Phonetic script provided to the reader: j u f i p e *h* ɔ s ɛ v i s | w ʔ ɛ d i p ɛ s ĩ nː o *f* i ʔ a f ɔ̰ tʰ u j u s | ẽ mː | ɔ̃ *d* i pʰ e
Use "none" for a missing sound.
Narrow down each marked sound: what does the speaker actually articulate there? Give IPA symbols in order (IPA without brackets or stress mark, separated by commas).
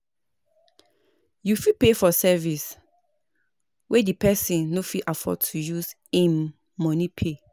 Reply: f, f, n